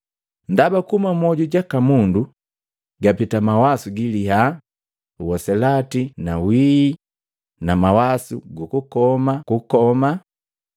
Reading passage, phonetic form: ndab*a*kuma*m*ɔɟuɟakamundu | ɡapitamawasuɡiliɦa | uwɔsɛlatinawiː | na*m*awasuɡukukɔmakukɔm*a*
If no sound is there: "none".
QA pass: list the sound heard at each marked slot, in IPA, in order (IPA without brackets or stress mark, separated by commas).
a, m, m, a